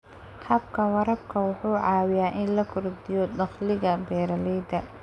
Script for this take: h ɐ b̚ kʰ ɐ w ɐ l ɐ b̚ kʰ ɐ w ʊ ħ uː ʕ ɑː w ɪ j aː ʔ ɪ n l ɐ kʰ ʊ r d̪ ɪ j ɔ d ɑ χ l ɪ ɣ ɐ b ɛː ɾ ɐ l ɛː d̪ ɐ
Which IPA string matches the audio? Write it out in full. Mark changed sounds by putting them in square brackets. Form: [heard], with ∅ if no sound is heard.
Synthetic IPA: h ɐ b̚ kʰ ɐ w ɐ [ɾ] ɐ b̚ kʰ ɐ w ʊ ħ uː ʕ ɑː w ɪ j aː ʔ ɪ n l ɐ kʰ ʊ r d̪ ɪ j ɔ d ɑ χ l ɪ ɣ ɐ b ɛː ɾ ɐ l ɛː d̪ ɐ